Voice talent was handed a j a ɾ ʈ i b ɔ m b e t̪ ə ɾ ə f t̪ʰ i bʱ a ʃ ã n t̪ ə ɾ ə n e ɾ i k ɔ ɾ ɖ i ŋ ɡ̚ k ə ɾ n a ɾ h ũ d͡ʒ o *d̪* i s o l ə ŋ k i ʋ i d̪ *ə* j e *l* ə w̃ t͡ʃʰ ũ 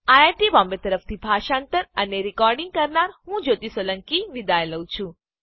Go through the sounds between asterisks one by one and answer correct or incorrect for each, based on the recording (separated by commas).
incorrect, incorrect, correct